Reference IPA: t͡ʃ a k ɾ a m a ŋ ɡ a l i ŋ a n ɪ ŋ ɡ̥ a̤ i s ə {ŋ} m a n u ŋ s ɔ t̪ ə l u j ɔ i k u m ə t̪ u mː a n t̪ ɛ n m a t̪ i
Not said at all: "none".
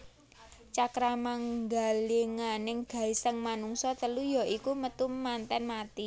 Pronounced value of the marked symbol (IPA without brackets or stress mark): ŋ